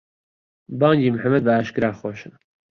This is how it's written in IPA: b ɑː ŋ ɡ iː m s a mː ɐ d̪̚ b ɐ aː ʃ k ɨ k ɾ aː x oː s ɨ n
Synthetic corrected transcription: b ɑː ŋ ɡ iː m ħ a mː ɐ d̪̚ b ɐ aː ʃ k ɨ ɾ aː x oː ʃ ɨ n